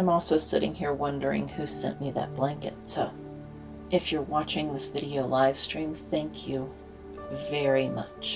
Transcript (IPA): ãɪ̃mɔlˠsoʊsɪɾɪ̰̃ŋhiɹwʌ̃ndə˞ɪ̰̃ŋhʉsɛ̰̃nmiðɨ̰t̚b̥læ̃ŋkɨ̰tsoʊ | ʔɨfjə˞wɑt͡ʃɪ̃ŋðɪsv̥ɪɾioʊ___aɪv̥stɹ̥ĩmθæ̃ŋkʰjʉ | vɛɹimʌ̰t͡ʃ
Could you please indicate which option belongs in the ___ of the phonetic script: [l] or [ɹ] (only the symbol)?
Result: l